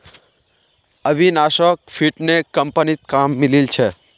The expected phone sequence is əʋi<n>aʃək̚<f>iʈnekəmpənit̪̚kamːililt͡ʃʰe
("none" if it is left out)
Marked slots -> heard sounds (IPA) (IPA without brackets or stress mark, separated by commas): n, f